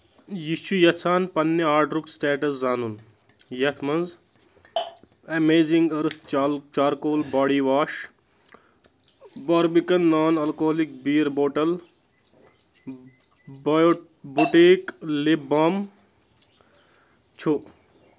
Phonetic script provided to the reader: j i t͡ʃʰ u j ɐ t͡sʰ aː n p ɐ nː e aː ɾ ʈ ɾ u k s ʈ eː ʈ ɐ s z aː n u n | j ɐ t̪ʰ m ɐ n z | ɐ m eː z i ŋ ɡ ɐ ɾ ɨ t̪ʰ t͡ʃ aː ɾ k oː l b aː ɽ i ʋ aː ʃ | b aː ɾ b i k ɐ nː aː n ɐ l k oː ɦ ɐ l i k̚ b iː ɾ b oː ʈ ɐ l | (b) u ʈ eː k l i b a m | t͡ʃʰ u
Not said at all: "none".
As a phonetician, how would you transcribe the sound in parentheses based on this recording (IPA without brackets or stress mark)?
b